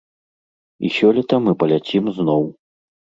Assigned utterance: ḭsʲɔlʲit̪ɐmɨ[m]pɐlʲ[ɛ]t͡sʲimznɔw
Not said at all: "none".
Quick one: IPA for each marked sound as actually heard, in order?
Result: none, a

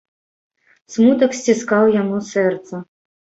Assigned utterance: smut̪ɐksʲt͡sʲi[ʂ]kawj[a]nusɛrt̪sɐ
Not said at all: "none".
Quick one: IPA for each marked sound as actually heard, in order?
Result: s, a

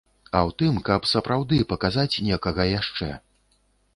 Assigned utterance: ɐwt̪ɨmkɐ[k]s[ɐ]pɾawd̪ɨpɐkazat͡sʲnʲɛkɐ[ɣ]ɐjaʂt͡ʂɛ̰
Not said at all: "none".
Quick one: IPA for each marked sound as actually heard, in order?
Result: p, ɐ, ɣ

